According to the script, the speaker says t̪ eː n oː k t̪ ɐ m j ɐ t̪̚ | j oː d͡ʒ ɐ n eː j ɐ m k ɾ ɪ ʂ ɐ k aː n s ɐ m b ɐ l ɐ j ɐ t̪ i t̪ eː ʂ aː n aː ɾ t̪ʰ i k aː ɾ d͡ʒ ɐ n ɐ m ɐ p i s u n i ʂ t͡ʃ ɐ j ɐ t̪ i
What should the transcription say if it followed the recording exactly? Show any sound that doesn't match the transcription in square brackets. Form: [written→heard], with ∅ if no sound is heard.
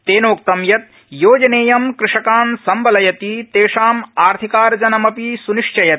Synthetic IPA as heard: t̪ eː n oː k t̪ ɐ m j ɐ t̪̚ | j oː d͡ʒ ɐ n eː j ɐ m k ɾ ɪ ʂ ɐ k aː n s ɐ m b ɐ l ɐ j ɐ t̪ i t̪ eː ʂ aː [n→m] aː ɾ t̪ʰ i k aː ɾ d͡ʒ ɐ n ɐ m ɐ p i s u n i ʂ t͡ʃ ɐ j ɐ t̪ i